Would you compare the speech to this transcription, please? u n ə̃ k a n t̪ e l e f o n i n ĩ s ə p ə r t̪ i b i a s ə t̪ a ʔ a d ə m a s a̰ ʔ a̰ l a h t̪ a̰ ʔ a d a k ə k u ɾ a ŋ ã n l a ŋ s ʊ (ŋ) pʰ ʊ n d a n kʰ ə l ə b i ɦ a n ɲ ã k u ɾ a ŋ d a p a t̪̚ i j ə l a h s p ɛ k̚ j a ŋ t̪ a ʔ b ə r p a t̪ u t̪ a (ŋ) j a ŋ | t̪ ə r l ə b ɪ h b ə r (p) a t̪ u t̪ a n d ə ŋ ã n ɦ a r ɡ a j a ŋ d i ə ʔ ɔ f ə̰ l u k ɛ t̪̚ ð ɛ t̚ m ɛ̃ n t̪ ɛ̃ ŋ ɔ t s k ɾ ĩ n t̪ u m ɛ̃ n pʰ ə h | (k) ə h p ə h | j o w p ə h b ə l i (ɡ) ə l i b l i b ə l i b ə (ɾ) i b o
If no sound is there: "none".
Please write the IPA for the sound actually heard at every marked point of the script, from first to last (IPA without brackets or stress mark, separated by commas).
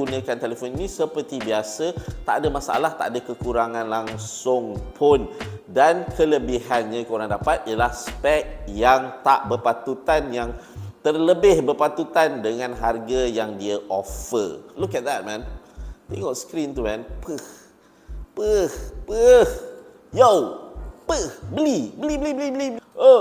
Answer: ŋ, n, p, p, b, l